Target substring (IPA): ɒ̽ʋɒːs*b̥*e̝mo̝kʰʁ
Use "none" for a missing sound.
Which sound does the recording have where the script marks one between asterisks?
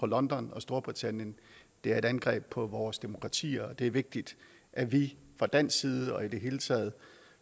d̥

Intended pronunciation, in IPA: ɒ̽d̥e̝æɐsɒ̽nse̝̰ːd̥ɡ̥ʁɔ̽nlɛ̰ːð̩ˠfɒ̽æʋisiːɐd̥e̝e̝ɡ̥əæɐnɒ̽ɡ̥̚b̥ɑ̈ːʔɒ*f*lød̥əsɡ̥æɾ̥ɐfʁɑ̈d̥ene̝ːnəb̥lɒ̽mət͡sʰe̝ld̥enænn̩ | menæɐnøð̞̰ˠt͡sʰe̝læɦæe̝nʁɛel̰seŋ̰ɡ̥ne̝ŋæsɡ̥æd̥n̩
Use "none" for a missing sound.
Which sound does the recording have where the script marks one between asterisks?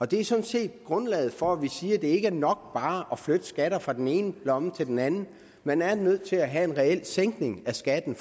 f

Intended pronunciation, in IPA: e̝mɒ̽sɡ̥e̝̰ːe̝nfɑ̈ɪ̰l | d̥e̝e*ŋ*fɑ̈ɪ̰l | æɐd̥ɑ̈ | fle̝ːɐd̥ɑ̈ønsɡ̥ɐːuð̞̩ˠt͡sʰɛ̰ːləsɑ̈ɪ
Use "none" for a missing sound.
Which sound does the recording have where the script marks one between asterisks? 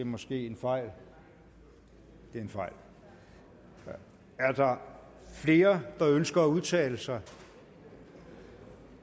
n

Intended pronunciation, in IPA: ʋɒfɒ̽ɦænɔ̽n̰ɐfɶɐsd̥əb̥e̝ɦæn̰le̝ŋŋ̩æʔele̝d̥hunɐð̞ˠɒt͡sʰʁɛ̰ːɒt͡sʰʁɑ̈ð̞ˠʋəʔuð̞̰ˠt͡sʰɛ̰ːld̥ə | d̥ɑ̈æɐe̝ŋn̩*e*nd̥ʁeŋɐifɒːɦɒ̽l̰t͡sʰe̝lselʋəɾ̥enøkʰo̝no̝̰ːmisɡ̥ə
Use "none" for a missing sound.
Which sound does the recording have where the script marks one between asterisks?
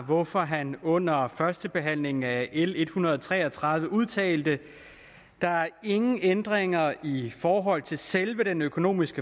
e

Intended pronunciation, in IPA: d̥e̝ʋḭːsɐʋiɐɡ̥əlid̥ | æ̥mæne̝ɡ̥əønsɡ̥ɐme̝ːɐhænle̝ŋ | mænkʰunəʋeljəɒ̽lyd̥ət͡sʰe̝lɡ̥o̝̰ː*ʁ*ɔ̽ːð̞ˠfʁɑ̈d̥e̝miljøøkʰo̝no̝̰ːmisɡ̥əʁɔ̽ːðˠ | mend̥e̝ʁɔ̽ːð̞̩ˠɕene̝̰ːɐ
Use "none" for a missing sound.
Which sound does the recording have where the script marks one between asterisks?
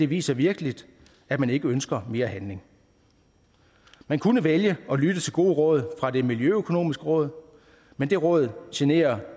ʁ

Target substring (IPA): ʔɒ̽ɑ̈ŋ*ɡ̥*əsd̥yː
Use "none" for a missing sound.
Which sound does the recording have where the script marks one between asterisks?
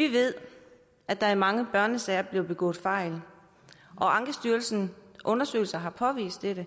ɡ̥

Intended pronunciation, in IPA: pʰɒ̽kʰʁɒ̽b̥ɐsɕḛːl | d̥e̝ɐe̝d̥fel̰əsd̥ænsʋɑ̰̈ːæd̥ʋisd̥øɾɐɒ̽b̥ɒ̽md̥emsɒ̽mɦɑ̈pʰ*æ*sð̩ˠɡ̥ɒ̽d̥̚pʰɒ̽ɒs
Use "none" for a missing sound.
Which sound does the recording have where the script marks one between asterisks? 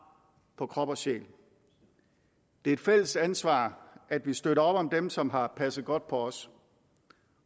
æ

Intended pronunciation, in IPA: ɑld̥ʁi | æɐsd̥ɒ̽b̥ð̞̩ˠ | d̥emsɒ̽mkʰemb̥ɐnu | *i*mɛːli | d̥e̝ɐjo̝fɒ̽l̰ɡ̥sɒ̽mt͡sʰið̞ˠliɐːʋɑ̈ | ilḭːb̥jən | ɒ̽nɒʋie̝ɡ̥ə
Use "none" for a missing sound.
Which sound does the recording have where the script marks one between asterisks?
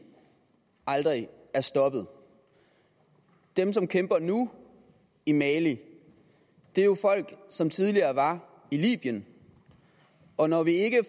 i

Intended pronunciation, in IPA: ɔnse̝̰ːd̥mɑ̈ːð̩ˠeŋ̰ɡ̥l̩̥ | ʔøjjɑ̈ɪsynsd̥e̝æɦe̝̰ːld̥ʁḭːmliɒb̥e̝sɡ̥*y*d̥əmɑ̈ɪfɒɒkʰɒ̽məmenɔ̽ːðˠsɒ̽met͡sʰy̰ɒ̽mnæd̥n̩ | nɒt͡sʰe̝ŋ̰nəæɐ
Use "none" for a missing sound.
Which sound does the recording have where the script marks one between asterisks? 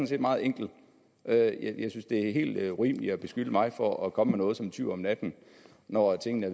y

